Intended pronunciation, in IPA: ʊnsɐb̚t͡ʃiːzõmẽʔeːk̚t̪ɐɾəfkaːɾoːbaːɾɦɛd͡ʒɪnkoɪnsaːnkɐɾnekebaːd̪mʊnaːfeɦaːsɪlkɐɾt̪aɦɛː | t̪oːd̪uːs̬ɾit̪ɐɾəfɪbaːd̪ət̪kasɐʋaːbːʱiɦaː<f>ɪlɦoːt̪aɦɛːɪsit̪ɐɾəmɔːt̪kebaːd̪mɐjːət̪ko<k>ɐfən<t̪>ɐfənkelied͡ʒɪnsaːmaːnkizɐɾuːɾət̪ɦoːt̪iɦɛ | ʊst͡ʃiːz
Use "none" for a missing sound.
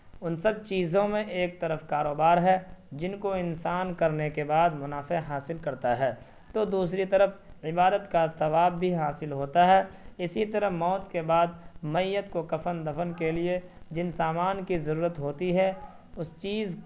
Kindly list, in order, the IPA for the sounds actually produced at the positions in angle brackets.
s, k, d̪

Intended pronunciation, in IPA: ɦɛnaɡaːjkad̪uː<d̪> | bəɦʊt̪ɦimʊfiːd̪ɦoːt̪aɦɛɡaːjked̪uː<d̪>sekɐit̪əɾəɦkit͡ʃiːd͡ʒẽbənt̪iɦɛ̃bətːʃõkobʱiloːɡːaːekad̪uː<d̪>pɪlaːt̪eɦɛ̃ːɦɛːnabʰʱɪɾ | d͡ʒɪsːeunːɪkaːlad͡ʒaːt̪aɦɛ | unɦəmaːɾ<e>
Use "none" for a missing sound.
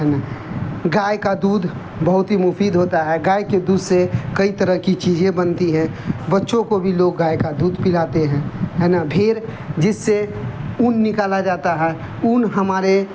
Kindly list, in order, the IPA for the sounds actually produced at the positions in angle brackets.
d̪, d̪, d̪, e

